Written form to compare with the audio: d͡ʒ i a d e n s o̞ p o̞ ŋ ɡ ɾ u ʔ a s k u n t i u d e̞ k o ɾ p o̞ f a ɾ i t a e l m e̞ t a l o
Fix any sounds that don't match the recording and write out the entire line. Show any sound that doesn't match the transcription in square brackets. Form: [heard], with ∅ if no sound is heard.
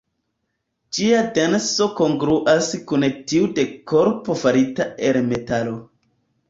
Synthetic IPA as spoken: d͡ʒ i a d e n s o̞ [k] o̞ ŋ ɡ ɾ u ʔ a s k u n t i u d e̞ k o ɾ p o̞ f a ɾ i t a e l m e̞ t a l o

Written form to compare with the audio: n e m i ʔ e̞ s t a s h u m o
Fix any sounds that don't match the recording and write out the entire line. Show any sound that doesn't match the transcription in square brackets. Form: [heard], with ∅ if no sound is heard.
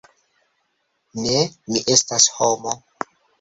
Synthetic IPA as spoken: n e m i ʔ e̞ s t a s h [o] m o

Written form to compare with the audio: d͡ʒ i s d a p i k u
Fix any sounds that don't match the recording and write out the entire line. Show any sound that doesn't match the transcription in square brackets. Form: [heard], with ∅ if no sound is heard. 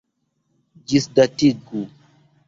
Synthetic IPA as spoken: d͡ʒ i s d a [t] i [ɡ] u

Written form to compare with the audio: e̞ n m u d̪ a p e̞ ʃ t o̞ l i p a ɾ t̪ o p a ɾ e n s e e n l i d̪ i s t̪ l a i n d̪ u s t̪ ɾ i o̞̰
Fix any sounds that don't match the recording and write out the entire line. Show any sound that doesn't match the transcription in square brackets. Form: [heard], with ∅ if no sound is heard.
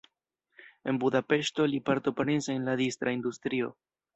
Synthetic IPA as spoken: e̞ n [b] u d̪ a p e̞ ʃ t o̞ l i p a ɾ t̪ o p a ɾ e n s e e n l [a] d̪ i s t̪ [ɾ] a i n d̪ u s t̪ ɾ i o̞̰

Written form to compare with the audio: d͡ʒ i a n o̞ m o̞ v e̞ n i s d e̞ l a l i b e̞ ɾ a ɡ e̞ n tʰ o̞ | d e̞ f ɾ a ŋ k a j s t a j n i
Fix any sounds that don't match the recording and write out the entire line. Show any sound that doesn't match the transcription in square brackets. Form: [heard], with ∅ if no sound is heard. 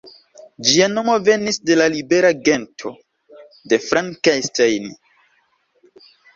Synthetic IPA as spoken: d͡ʒ i a n o̞ m o̞ v e̞ n i s d e̞ l a l i b e̞ ɾ a ɡ e̞ n tʰ o̞ | d e̞ f ɾ a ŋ k a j s t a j n i

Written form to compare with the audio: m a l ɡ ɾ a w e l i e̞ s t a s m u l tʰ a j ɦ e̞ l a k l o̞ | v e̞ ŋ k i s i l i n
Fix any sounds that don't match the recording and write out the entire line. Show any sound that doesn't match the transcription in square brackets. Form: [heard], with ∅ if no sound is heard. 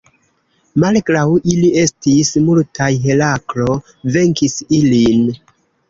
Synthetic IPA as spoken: m a l ɡ ɾ a w [i] l i e̞ s t [i] s m u l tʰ a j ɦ e̞ l a k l o̞ | v e̞ ŋ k i s i l i n

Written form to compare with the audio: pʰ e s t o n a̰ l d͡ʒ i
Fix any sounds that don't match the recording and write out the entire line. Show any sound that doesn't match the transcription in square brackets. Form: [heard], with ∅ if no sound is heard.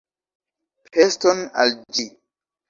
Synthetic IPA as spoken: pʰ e s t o n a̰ l d͡ʒ i

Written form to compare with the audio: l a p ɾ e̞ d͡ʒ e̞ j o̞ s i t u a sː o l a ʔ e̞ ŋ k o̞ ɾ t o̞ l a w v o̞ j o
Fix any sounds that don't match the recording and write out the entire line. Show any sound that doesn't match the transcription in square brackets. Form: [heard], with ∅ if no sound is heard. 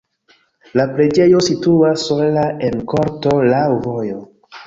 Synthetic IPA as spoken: l a p ɾ e̞ d͡ʒ e̞ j o̞ s i t u a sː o l a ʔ e̞ [n] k o̞ ɾ t o̞ l a w v o̞ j o

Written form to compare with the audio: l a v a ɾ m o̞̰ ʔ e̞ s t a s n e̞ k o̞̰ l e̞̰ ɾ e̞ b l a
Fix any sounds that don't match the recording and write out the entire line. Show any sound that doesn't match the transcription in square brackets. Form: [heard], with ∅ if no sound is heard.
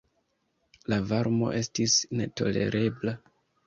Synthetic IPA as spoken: l a v a ɾ m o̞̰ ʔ e̞ s t [i] s n e̞ [t] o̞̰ l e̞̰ ɾ e̞ b l a

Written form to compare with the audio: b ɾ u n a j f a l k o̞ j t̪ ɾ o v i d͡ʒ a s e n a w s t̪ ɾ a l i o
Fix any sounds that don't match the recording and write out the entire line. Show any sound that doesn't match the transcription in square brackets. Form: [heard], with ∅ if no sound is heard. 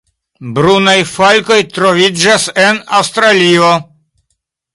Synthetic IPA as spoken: b ɾ u n a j f a l k o̞ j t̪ ɾ o v i d͡ʒ a s e n a w s t̪ ɾ a l i o

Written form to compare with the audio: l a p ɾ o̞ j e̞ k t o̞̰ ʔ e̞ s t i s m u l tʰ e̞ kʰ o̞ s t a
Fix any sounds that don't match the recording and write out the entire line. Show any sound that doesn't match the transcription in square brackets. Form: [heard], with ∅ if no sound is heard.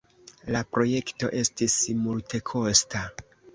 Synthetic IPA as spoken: l a p ɾ o̞ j e̞ k t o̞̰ ʔ e̞ s t i s m u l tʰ e̞ kʰ o̞ s t a

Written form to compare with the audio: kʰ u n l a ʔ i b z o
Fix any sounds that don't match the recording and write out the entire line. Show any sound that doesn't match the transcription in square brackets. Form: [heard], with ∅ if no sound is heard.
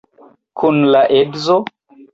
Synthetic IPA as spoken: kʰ u n l a ʔ [e] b z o

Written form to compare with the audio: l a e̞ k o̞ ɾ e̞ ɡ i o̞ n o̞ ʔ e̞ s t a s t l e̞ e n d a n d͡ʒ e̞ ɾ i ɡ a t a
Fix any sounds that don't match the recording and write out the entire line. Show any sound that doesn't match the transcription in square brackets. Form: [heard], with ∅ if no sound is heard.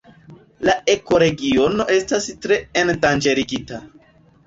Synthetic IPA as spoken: l a e̞ k o̞ ɾ e̞ ɡ i o̞ n o̞ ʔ e̞ s t a s t [ɾ] e̞ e n d a n d͡ʒ e̞ ɾ i ɡ [i] t a

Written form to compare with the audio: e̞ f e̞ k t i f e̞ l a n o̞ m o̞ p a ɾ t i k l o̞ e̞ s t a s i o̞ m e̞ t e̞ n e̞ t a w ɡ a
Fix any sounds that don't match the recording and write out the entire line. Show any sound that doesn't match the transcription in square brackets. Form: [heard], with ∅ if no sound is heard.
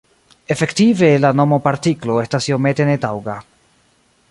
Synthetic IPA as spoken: e̞ f e̞ k t i [v] e̞ l a n o̞ m o̞ p a ɾ t i k l o̞ e̞ s t a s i o̞ m e̞ t e̞ n e̞ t a w ɡ a

